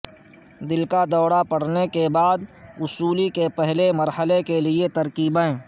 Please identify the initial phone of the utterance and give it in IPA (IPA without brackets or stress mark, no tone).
d̪